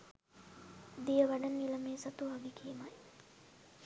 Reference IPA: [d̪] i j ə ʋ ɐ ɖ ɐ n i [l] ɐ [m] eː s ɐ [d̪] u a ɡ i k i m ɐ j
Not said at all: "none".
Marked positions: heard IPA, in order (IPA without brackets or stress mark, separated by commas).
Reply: d̪, l, m, t̪